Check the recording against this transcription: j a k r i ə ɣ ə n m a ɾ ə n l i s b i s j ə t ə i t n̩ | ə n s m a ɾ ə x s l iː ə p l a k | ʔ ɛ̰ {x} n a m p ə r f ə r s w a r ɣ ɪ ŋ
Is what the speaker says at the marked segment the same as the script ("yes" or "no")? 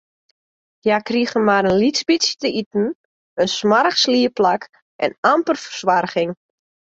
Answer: no